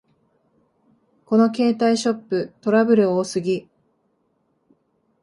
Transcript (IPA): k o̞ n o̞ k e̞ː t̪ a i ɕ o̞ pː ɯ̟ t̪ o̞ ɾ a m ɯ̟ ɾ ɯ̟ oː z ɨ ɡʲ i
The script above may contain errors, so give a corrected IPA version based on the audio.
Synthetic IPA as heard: k o̞ n o̞ k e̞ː t̪ a i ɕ o̞ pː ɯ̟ t̪ o̞ ɾ a b ɯ̟ ɾ ɯ̟ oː s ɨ ɡʲ i